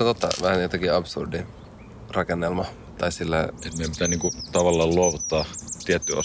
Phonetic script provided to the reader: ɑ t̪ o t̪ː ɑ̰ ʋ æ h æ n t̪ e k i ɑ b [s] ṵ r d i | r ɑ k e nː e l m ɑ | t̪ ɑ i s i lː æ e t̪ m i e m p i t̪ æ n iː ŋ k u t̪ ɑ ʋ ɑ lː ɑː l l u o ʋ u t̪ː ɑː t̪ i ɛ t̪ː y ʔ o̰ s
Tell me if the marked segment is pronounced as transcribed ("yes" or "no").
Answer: yes